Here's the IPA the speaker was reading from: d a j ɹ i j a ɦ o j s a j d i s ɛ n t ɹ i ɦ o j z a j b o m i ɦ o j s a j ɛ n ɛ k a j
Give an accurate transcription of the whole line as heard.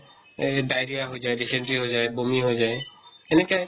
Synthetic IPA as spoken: d a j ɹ i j a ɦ o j z a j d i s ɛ n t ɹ i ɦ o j z a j b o m i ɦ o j z a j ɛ n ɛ k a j